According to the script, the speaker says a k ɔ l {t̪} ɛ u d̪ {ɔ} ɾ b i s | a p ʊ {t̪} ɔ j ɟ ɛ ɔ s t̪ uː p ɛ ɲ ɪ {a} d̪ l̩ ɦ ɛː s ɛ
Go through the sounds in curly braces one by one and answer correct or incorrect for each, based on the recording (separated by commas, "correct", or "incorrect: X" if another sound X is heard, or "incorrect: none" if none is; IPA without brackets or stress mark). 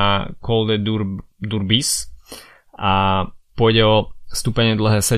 incorrect: d̪, incorrect: u, incorrect: none, incorrect: ɛ